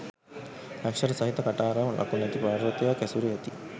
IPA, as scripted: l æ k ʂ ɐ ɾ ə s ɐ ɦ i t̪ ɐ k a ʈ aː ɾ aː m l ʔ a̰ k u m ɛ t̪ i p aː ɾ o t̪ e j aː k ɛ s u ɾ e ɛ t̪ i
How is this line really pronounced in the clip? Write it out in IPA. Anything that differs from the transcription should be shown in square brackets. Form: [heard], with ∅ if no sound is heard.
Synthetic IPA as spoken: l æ k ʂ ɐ ɾ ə s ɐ ɦ i t̪ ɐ k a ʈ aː ɾ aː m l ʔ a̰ k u [n] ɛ t̪ i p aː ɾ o t̪ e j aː k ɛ s u ɾ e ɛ t̪ i